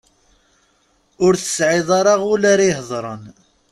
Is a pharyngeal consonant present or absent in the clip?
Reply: present